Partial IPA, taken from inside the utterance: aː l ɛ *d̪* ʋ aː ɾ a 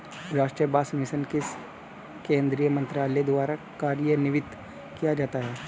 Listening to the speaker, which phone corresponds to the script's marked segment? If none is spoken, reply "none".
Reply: d̪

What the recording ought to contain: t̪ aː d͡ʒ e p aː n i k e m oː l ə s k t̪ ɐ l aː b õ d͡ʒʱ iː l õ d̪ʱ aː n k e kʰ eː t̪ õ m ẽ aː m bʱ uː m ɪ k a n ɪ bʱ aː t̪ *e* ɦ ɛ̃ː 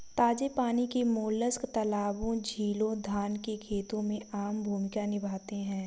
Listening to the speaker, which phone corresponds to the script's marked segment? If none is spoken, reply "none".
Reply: e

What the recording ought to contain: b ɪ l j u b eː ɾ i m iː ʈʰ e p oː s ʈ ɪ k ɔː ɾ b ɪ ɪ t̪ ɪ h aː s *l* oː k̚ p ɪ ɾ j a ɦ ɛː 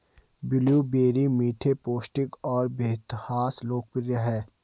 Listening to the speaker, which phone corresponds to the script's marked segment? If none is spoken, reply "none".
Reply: l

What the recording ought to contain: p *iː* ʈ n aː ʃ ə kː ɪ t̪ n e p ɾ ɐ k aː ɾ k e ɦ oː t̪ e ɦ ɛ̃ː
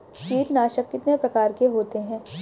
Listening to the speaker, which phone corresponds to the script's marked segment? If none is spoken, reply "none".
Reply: iː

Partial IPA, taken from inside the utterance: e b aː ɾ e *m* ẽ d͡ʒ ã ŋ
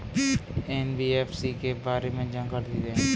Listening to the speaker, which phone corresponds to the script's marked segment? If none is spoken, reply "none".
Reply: m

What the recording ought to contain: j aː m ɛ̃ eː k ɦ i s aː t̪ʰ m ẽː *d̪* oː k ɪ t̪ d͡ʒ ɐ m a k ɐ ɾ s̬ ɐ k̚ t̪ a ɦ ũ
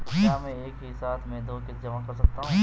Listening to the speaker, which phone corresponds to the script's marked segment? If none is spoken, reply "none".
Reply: d̪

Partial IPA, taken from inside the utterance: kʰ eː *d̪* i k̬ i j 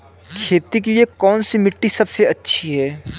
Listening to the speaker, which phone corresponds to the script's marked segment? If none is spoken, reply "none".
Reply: t̪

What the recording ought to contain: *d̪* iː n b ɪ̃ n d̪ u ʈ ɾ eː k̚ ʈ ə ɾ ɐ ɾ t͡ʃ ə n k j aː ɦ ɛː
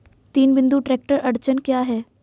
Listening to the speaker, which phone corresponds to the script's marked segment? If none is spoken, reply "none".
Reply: t̪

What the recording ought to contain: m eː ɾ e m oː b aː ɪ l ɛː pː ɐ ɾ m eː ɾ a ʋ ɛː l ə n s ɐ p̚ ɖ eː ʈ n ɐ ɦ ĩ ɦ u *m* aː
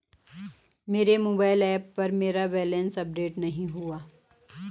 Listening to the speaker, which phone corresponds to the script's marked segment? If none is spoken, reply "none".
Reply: none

